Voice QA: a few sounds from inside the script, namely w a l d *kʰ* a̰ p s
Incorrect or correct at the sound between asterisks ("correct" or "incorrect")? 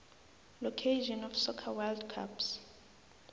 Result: correct